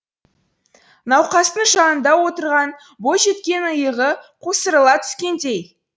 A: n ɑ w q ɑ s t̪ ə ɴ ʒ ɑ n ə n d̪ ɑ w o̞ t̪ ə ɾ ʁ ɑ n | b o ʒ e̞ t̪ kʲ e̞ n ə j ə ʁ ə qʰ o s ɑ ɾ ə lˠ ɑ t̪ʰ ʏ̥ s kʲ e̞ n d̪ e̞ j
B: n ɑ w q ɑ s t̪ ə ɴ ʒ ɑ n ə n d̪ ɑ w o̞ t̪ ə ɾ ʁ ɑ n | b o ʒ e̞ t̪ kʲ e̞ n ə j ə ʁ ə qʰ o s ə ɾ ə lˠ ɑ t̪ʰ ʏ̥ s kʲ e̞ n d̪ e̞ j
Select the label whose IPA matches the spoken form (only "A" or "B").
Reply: B